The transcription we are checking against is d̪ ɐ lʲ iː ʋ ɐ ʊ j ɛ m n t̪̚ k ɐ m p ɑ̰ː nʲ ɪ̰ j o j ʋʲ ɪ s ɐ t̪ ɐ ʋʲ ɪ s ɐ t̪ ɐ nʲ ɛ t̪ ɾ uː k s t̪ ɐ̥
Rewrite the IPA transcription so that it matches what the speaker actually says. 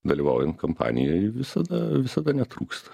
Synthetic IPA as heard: d̪ ɐ lʲ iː ʋ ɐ ʊ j ɛ n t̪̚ k ɐ m p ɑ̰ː nʲ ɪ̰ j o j ʋʲ ɪ s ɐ d̪ ɐ ʋʲ ɪ s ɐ d̪ ɐ nʲ ɛ t̪ ɾ uː k s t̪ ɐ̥